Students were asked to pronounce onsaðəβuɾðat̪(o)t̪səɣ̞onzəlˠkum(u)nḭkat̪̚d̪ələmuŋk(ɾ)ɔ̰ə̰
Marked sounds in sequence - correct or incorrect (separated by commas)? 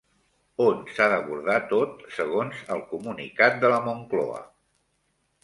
correct, correct, incorrect